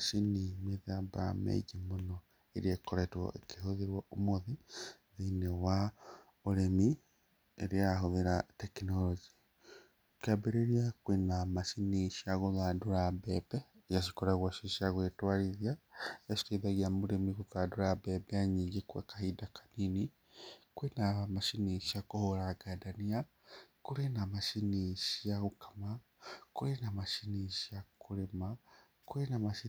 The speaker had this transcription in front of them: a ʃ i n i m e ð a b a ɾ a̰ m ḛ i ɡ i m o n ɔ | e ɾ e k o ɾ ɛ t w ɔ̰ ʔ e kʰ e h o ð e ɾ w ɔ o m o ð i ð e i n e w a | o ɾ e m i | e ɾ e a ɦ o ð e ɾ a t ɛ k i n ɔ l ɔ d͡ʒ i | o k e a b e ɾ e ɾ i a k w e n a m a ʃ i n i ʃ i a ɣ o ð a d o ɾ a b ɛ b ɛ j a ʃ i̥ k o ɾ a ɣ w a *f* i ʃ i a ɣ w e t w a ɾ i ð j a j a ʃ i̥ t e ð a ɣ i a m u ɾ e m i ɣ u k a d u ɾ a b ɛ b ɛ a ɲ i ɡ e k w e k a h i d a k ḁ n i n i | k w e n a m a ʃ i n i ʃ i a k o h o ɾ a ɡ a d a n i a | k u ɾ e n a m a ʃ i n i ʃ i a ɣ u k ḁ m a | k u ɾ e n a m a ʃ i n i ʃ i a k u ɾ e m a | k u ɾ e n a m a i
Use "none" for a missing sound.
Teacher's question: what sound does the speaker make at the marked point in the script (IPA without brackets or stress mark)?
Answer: ʃ